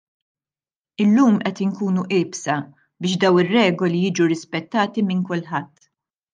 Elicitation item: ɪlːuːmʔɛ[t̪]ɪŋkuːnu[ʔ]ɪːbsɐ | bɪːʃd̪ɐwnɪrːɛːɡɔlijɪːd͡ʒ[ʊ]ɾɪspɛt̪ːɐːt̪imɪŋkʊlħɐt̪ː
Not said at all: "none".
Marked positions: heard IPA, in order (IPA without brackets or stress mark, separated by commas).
t̪, ʔ, u